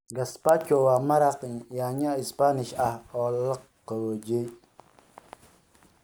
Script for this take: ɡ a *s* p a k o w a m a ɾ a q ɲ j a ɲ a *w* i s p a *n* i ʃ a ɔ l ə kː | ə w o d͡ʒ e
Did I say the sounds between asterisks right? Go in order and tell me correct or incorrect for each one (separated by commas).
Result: correct, incorrect, correct